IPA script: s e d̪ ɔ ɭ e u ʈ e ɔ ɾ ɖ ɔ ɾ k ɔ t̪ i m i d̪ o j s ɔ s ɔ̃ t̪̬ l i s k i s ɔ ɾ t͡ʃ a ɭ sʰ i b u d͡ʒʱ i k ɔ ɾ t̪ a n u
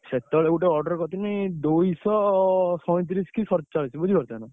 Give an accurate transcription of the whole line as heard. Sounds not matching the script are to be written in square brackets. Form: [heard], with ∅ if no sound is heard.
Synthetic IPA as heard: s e [t̪] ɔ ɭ e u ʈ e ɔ ɾ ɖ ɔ ɾ k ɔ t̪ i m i d̪ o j s ɔ s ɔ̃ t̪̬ [ɾ] i s k i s ɔ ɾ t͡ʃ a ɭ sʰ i b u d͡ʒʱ i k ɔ ɾ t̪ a n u

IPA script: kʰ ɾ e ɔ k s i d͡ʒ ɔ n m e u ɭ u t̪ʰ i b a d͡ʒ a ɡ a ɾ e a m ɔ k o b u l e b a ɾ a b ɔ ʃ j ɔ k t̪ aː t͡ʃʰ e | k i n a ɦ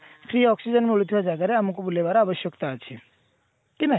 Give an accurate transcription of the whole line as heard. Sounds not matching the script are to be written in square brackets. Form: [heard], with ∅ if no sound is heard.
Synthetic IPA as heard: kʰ ɾ [i] ɔ k s i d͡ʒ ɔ n m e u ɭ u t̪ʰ i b a d͡ʒ a ɡ a ɾ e a m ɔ k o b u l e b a ɾ a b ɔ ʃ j ɔ k t̪ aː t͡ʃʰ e | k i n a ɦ

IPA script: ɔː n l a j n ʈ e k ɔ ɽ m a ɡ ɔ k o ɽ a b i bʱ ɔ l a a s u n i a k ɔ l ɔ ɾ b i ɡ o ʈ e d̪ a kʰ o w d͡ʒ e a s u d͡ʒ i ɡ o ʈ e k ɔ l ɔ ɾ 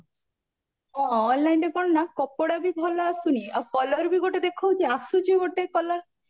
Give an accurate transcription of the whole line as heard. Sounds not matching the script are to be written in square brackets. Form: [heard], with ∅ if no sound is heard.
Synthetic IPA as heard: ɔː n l a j n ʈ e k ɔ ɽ [n] a [k] ɔ [p] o ɽ a b i bʱ ɔ l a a s u n i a k ɔ l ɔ ɾ b i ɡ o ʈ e d̪ [e] kʰ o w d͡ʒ e a s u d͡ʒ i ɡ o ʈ e k ɔ l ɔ ɾ

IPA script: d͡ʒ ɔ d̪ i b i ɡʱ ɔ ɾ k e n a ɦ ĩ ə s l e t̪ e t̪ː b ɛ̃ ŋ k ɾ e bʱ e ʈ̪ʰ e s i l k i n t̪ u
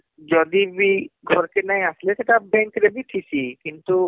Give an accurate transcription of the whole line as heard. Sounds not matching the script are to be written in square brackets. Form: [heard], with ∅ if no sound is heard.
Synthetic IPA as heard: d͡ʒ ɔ d̪ i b i ɡʱ ɔ ɾ k e n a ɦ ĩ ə s l e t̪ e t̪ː b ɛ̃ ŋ k ɾ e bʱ [i] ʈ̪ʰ [i] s i [∅] k i n t̪ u

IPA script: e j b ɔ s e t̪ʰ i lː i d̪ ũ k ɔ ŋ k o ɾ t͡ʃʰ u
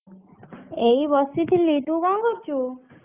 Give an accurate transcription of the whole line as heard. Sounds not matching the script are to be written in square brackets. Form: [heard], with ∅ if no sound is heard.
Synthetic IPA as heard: e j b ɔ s [i] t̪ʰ i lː i [t̪] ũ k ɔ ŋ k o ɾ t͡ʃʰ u

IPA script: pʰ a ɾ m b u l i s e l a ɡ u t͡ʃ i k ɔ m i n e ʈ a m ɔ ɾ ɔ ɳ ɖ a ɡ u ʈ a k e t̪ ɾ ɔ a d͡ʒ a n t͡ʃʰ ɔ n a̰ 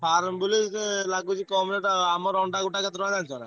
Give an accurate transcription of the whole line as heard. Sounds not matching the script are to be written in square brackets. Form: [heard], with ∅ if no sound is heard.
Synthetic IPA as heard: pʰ a ɾ m b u l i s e l a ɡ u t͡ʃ i k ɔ m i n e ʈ a m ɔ ɾ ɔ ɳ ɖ a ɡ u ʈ a k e t̪ ɾ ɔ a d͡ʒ a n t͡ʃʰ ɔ n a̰

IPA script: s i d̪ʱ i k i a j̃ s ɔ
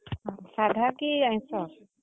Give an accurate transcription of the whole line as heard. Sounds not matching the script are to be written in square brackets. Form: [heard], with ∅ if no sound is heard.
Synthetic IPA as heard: s [a] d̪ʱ [a] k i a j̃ s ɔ

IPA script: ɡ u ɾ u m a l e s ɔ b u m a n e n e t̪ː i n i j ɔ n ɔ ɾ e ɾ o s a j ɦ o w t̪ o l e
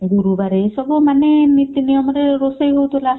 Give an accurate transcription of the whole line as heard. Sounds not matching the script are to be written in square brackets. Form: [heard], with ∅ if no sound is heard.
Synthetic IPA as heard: ɡ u ɾ u [b] a [ɾ] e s ɔ b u m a n e n [i] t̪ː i n i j ɔ [m] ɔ ɾ e ɾ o s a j ɦ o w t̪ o l [a]

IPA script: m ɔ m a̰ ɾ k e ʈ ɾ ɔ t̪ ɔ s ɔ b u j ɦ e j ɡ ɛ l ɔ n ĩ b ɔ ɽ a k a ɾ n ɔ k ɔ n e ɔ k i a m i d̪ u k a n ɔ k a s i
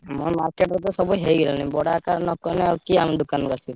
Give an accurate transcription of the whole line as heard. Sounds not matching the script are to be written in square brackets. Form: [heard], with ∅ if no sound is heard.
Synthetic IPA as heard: m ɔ m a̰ ɾ k e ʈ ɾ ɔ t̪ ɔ s ɔ b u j ɦ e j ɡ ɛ l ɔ n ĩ b ɔ ɽ a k a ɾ n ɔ k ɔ n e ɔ k i a m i d̪ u k a n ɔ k a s i

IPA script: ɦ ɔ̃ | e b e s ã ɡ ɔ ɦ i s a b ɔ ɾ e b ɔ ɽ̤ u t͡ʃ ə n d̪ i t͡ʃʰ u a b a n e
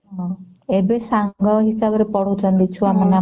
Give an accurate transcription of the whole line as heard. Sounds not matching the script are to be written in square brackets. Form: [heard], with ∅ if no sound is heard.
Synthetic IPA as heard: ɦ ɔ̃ | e b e s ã ɡ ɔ ɦ i s a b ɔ ɾ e [p] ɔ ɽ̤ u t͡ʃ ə n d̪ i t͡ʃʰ u a [m] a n [a]

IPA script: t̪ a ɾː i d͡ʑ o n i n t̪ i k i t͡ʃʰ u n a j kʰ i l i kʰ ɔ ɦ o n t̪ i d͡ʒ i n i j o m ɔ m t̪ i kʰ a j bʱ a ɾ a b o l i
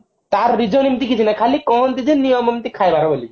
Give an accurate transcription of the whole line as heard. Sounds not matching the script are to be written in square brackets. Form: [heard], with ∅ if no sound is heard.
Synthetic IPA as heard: t̪ a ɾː i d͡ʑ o n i [m] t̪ i k i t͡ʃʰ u n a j kʰ [a] l i [k] ɔ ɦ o n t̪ i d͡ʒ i n i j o m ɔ m t̪ i kʰ a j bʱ a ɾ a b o l i

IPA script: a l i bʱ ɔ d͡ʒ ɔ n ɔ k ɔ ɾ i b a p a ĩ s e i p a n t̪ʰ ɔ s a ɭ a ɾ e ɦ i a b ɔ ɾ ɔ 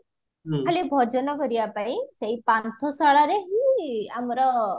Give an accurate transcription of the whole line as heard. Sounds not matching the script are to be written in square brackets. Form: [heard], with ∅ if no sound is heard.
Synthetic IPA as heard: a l i bʱ ɔ d͡ʒ ɔ n ɔ k ɔ ɾ i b a p a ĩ s e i p a n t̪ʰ ɔ s a ɭ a ɾ e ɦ i a [m] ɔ ɾ ɔ

